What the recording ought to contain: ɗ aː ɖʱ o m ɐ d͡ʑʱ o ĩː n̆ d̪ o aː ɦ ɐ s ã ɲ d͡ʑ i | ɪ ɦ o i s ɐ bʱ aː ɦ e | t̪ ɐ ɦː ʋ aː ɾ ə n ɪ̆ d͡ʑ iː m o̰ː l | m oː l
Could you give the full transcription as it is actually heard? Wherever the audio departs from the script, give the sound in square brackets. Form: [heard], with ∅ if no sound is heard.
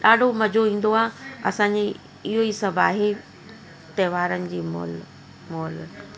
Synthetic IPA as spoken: ɗ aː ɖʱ o m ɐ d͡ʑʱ o ĩː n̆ d̪ o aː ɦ ɐ s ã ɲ d͡ʑ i | ɪ ɦ o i s ɐ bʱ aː ɦ e | t̪ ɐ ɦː ʋ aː ɾ ə n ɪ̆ d͡ʑ iː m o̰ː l | m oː l